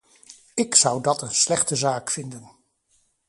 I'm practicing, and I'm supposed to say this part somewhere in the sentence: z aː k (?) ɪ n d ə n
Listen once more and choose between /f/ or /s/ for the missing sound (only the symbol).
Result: f